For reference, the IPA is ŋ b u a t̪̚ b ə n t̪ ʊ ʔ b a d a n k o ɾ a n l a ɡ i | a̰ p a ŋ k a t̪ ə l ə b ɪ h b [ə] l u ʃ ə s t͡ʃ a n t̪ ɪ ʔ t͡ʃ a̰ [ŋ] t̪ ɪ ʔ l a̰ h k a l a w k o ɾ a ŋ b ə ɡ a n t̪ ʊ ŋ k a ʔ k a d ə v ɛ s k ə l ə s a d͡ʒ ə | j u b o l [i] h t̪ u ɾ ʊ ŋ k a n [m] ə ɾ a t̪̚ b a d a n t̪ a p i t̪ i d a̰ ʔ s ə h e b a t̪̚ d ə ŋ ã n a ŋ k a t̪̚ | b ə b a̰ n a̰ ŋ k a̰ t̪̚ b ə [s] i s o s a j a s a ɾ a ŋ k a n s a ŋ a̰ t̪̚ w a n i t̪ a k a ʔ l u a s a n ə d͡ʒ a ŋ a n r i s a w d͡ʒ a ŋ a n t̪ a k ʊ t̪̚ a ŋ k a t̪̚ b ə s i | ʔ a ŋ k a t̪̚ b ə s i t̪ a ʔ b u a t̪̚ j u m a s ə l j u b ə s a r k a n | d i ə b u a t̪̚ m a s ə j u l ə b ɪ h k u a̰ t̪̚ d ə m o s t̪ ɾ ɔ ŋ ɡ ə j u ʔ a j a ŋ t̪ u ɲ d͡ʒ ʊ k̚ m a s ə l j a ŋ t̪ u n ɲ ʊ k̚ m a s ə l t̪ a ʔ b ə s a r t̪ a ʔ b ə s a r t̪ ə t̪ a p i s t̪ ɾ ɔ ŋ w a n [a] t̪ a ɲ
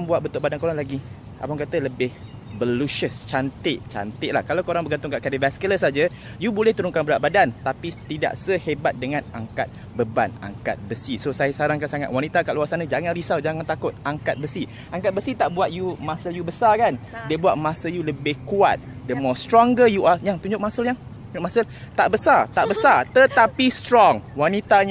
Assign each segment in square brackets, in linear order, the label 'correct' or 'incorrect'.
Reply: correct, incorrect: n, incorrect: ɛ, incorrect: b, correct, incorrect: i

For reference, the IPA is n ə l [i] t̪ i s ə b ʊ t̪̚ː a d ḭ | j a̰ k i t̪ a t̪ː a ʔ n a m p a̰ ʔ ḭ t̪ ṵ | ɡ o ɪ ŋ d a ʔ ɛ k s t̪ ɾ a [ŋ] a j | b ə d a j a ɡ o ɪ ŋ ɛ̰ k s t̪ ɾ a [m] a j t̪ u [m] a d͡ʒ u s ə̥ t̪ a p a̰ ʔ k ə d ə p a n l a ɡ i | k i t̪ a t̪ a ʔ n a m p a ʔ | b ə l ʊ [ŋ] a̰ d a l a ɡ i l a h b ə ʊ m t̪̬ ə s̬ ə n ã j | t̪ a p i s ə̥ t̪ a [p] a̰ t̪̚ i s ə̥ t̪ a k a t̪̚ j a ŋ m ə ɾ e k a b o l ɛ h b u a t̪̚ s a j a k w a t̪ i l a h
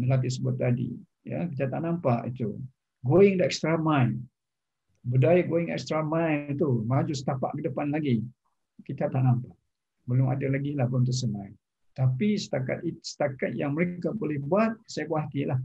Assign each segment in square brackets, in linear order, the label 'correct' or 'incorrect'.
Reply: incorrect: a, incorrect: m, correct, correct, incorrect: m, incorrect: k

